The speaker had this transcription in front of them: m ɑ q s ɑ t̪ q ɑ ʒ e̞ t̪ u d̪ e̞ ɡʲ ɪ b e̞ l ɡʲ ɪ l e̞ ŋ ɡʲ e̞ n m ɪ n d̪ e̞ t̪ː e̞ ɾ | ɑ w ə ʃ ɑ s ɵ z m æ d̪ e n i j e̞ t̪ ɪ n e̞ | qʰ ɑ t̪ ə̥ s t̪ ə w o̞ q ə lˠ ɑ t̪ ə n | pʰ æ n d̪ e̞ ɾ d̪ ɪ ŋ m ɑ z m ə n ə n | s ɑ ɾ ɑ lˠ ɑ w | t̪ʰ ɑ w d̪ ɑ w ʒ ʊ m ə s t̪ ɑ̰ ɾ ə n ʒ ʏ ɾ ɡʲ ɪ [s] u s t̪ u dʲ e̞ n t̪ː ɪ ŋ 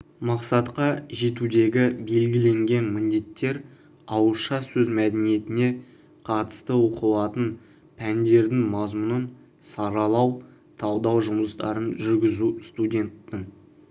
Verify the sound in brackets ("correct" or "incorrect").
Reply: incorrect